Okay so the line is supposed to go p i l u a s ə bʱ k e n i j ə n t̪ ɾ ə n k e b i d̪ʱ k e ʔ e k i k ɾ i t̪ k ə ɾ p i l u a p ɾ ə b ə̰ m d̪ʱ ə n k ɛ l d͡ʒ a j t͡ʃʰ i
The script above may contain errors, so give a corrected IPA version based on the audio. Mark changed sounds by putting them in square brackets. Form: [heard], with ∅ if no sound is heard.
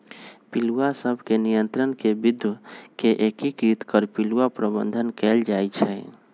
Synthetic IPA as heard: p i l u a s ə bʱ k e n i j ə n t̪ ɾ ə n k e b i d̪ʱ k e ʔ e k i k ɾ i t̪ k ə ɾ p i l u a p ɾ ə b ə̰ [n] d̪ʱ ə n k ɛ l d͡ʒ a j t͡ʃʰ [ɛ]